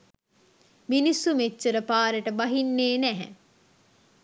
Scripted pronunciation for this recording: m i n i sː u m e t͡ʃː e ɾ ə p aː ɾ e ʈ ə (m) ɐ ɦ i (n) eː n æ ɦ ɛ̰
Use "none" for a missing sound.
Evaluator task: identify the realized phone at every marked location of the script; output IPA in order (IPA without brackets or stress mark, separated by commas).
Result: b, nː